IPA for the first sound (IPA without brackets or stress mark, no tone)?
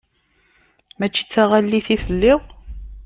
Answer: m